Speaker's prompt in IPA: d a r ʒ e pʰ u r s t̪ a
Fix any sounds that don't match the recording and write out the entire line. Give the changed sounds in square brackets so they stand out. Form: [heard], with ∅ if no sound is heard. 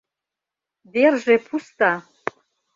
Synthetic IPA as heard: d [e] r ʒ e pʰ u [∅] s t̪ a